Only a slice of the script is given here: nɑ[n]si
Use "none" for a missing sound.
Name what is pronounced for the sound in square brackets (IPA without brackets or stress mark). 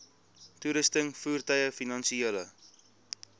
n